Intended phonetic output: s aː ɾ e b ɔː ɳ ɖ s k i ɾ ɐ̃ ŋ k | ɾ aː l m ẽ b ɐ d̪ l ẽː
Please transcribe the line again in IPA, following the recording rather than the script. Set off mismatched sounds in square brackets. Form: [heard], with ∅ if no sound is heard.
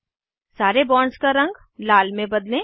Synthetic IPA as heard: s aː ɾ e b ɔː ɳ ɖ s k [a] ɾ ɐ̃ ŋ [ɡ] | [l] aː l m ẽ b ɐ d̪ l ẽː

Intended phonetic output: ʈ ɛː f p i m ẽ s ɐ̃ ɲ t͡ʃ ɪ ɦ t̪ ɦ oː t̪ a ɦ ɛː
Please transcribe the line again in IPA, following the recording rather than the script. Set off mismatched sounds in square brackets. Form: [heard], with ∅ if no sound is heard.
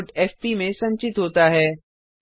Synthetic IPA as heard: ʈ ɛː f p i m ẽ s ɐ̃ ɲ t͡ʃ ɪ [∅] t̪ ɦ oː t̪ a ɦ ɛː

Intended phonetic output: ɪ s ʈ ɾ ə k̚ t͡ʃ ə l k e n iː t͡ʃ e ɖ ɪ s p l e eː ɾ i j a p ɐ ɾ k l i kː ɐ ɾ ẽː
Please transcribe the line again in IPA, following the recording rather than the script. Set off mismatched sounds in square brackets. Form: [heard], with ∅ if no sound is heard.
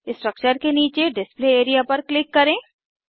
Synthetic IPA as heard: ɪ s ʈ ɾ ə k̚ t͡ʃ ə [ɾ] k e n iː t͡ʃ e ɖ ɪ s p l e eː ɾ i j a p ɐ ɾ k l [ɪ] kː ɐ ɾ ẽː

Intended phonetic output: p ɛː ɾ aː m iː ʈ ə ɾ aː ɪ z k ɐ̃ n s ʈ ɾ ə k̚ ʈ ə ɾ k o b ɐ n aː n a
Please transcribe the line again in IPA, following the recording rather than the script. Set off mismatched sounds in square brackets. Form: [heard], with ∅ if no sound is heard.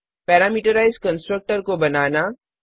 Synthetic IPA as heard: p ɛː ɾ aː m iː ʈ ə ɾ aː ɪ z k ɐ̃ n s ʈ ɾ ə k̚ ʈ ə ɾ k o b ɐ n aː n a

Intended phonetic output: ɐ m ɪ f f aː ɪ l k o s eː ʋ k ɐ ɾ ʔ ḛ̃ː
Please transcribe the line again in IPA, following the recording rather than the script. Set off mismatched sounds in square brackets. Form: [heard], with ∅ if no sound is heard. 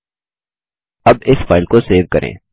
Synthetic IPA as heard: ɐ [b] ɪ [s] f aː ɪ l k o s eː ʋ k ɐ ɾ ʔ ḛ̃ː

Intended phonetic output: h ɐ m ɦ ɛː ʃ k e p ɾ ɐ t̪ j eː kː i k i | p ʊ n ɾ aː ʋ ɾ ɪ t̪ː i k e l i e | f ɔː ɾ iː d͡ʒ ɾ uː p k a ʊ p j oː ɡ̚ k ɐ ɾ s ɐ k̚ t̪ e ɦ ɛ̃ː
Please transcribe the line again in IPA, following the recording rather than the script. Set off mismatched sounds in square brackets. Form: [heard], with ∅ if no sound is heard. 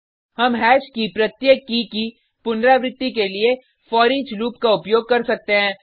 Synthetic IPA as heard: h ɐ m ɦ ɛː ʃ k [i] p ɾ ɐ t̪ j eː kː i k i | p ʊ n ɾ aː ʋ ɾ ɪ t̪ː i k e l i e | f ɔː ɾ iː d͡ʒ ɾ uː p k a ʊ p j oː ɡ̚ k ɐ ɾ s ɐ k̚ t̪ e ɦ ɛ̃ː

